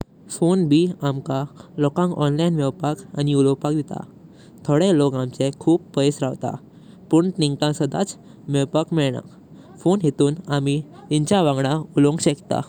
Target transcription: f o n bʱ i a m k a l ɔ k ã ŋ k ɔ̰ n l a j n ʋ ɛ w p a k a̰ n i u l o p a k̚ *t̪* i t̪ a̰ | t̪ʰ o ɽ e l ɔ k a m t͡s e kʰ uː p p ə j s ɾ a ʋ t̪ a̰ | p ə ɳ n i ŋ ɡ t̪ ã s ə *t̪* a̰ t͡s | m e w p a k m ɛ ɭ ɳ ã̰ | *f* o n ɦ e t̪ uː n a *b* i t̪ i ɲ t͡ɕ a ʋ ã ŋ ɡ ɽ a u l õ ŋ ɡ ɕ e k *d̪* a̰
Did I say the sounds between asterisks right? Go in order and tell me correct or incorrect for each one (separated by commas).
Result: incorrect, incorrect, correct, incorrect, incorrect